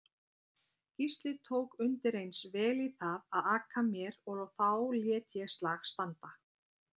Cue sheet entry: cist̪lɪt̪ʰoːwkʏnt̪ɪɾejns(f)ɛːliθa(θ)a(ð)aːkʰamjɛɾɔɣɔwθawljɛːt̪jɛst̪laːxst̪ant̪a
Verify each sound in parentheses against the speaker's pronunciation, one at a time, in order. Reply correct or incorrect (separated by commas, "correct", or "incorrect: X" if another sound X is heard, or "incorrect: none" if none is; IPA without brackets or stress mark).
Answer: incorrect: v, incorrect: ð, correct